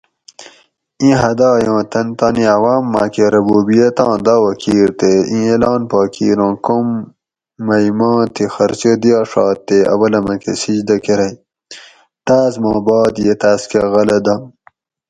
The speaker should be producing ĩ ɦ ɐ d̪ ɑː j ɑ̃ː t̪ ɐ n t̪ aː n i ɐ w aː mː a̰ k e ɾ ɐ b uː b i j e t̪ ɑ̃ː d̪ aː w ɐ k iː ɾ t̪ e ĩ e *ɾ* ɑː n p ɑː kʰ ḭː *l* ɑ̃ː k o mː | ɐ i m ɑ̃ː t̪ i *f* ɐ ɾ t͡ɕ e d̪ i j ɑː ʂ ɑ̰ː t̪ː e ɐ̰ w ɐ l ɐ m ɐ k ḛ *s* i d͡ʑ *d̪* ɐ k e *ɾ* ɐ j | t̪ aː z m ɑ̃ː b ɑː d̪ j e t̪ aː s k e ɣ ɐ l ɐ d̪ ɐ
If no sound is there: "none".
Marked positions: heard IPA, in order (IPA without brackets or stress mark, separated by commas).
l, ɾ, x, s, d̪, ɾ